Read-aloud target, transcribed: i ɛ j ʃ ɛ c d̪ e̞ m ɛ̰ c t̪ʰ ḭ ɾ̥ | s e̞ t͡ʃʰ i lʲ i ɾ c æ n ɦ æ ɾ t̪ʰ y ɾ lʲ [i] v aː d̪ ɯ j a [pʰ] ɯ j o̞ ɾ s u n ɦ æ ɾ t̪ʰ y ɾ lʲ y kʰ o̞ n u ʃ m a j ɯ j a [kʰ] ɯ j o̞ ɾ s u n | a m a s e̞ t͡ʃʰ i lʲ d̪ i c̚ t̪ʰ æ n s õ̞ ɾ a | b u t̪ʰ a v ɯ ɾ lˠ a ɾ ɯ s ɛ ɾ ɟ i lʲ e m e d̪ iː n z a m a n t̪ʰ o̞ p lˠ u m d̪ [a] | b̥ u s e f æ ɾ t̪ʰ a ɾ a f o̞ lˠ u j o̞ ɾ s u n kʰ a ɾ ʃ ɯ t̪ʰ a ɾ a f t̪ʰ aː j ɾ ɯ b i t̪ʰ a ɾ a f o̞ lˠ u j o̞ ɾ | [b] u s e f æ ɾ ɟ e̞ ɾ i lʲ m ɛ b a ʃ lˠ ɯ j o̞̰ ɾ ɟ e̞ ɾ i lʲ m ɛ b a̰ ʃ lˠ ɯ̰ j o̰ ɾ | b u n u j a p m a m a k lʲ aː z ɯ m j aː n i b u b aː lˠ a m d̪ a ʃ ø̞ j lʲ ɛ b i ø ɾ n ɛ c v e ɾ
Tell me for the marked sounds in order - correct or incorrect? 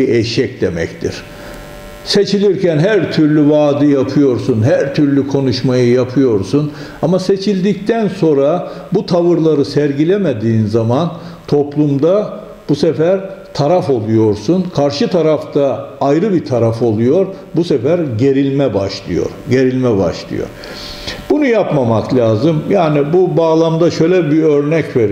incorrect, correct, incorrect, correct, correct

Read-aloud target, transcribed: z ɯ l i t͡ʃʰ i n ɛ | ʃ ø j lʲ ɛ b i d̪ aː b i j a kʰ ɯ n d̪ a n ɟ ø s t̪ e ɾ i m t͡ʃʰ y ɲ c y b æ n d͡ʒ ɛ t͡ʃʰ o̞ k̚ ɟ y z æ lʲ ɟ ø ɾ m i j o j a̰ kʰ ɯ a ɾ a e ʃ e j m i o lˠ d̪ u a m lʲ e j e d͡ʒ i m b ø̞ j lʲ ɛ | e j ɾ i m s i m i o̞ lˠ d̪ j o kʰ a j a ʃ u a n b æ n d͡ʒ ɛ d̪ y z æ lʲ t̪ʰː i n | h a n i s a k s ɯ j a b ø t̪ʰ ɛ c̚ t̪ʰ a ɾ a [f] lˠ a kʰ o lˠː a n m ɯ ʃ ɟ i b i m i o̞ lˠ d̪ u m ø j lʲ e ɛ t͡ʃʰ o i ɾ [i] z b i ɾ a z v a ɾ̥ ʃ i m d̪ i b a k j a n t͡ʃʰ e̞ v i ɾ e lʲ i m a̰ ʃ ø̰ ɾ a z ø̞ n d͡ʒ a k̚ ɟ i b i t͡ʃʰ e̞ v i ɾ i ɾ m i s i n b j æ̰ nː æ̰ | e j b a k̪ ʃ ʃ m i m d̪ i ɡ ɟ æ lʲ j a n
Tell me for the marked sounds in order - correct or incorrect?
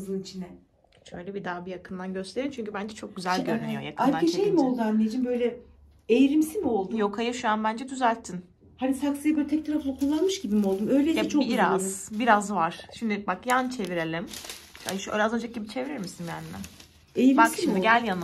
correct, incorrect

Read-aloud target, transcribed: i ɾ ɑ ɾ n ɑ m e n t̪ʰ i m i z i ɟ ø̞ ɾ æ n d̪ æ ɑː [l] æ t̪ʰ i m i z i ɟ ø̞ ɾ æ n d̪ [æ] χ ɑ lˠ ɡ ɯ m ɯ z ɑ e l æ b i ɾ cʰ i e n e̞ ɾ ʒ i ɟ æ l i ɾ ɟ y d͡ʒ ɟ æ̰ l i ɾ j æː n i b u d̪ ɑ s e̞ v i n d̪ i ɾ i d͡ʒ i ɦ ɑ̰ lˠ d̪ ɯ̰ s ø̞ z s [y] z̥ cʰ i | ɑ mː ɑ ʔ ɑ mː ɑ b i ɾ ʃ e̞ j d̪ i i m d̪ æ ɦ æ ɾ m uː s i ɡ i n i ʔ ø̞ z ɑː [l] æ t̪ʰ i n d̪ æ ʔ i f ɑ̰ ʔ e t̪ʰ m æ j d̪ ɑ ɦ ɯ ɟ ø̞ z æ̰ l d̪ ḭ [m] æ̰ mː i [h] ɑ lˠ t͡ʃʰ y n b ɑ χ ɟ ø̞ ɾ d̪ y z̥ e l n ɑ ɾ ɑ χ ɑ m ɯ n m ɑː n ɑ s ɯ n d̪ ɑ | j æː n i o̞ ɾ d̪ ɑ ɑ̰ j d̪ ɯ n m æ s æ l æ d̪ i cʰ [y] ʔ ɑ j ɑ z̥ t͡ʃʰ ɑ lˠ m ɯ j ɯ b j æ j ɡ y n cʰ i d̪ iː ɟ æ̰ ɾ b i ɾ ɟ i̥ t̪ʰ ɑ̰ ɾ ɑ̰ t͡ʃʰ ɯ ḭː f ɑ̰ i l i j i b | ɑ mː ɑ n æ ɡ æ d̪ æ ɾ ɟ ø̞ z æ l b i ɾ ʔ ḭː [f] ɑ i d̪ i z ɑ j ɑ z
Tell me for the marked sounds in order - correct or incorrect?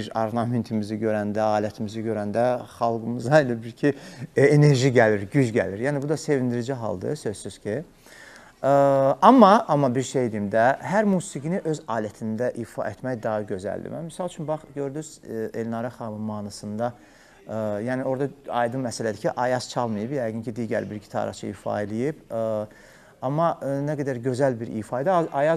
correct, correct, correct, correct, correct, incorrect, incorrect, correct

